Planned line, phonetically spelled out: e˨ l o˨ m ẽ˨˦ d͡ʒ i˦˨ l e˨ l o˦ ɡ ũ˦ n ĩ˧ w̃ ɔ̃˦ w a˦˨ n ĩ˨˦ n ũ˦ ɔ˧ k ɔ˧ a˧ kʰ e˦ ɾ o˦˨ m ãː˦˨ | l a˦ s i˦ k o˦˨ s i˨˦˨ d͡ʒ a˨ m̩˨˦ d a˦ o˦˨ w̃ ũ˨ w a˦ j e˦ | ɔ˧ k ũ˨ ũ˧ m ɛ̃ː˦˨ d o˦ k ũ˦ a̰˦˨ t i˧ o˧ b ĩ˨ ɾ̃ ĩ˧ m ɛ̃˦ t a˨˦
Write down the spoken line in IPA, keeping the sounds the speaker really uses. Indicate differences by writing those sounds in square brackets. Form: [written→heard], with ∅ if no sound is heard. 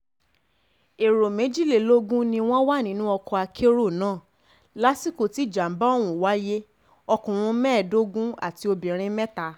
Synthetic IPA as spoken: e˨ [l→ɾ] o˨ m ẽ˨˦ d͡ʒ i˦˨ l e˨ l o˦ ɡ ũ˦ n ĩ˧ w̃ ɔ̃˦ w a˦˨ n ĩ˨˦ n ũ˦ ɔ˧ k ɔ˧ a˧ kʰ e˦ ɾ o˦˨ [m→n] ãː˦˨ | l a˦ s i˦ k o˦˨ [s→t] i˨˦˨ d͡ʒ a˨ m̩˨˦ [d→b] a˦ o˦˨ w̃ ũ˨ w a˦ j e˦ | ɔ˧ k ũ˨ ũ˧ m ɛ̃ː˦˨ d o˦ [k→ɡ] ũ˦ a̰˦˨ t i˧ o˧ b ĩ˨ ɾ̃ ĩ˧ m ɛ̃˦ t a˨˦